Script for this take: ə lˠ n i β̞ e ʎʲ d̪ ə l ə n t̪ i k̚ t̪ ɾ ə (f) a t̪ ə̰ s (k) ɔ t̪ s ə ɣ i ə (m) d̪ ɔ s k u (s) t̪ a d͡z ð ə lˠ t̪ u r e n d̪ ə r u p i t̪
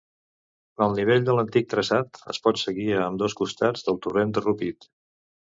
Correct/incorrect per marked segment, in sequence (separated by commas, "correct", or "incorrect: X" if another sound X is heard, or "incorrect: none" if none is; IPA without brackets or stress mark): incorrect: s, incorrect: p, correct, correct